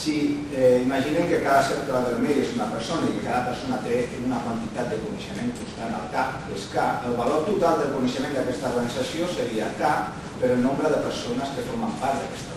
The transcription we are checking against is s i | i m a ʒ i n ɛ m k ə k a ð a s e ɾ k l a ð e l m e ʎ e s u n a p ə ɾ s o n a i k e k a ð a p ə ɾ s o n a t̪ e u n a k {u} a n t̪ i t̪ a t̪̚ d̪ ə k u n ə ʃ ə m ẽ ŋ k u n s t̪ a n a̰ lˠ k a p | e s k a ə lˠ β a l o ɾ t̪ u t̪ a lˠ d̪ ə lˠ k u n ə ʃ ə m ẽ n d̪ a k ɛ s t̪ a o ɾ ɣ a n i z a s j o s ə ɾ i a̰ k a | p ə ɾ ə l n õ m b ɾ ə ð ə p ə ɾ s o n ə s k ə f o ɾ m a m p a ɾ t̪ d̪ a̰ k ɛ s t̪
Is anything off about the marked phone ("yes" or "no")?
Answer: yes